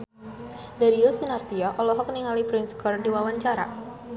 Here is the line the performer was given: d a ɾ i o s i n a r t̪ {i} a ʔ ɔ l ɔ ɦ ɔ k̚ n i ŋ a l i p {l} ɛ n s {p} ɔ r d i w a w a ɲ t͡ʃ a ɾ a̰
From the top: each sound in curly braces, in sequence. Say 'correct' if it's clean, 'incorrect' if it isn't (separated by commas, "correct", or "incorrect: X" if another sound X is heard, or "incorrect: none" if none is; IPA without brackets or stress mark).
correct, incorrect: ɾ, incorrect: k